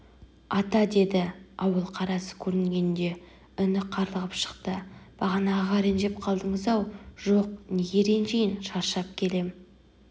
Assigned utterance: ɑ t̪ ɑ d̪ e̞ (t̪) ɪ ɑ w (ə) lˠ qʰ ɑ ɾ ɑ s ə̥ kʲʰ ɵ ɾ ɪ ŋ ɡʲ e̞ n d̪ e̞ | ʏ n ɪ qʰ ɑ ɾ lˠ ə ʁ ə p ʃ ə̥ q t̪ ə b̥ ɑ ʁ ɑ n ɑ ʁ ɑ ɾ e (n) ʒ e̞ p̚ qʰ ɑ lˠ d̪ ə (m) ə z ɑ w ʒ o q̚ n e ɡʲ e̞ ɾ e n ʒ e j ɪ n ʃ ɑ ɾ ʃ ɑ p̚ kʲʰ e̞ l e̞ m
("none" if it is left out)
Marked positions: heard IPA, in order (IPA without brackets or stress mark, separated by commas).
d̪, ə, n, ɴ